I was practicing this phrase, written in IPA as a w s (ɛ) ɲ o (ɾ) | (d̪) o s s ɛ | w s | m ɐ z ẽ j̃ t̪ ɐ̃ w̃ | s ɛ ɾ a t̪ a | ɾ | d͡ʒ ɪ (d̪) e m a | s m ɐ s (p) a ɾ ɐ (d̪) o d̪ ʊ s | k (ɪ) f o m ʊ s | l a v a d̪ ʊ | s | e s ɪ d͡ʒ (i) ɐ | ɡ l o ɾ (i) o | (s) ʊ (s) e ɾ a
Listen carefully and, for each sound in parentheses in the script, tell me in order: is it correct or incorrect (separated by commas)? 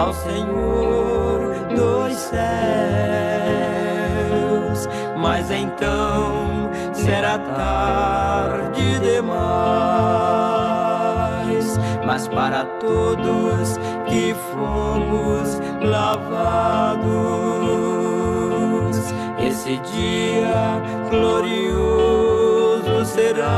incorrect, correct, correct, correct, correct, incorrect, correct, correct, correct, incorrect, correct